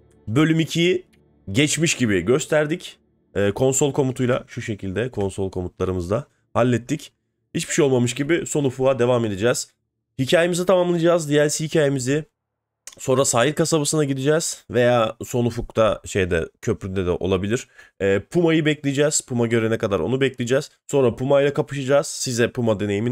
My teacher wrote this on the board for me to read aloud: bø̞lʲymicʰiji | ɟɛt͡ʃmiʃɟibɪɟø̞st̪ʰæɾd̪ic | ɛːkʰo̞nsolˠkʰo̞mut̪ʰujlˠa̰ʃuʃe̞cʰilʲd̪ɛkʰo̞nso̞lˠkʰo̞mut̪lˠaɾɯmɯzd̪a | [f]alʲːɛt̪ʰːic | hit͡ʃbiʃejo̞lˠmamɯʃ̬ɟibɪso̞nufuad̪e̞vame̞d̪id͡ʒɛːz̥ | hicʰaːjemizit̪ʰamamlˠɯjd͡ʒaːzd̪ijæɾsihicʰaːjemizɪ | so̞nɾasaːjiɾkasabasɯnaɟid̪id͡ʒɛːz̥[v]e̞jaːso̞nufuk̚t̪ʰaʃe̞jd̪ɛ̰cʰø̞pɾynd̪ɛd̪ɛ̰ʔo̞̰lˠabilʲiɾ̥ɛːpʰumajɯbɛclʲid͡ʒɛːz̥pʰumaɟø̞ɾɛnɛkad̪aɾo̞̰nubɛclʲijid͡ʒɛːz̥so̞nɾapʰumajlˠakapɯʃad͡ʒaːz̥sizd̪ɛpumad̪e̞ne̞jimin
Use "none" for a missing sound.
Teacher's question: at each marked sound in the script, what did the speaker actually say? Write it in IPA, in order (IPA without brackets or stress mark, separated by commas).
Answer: h, v